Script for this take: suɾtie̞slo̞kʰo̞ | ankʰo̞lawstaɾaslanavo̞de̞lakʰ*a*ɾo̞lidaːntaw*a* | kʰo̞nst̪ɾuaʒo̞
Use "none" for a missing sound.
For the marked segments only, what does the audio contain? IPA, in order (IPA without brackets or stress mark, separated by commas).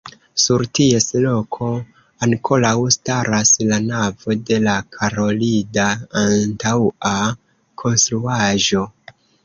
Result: a, a